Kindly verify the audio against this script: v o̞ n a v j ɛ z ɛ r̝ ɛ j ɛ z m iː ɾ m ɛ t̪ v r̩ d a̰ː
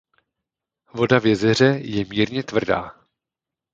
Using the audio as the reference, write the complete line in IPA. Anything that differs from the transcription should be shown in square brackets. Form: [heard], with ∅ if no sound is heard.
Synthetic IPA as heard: v o̞ [d] a v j ɛ z ɛ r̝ ɛ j ɛ [∅] m iː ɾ [ɲ] ɛ t̪ v r̩ d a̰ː